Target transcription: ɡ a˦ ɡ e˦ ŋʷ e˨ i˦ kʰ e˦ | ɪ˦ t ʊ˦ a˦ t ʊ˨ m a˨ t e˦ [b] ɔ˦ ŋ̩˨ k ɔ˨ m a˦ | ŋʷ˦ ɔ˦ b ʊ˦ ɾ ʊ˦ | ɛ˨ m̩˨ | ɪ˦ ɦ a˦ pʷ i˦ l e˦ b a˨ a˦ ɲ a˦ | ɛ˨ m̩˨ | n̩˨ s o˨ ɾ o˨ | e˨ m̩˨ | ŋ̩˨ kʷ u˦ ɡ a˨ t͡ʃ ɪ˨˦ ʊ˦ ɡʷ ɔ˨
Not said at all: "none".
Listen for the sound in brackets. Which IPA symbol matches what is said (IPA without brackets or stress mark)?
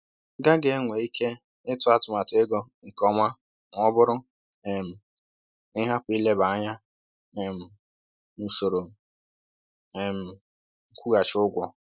ɡ